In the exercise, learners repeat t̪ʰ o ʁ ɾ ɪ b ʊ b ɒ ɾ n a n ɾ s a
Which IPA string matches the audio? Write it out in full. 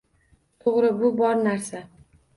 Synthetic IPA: t̪ʰ o ʁ ɾ ɪ b ʊ b ɒ ɾ n a ɾ s a